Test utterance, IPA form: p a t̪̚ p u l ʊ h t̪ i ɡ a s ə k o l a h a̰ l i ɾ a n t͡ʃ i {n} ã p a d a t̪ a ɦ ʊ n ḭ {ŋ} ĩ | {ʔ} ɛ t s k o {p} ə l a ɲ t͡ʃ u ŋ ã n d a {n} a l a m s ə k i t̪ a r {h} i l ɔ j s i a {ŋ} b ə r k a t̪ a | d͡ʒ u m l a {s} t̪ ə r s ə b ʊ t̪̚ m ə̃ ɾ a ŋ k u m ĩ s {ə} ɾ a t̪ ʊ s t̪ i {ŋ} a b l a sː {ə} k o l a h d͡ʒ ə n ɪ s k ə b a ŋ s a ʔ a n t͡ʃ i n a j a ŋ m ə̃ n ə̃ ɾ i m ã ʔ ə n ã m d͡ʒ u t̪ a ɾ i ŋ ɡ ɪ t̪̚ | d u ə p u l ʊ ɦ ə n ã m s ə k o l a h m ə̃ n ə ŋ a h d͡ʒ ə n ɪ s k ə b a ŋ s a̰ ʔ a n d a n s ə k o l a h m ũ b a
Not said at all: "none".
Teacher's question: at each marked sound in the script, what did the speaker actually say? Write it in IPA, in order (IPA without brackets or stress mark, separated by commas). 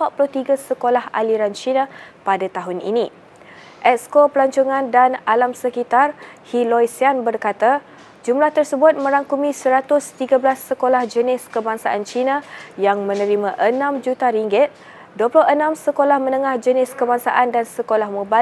n, n, ʔ, p, n, h, n, h, ə, ɡ, ə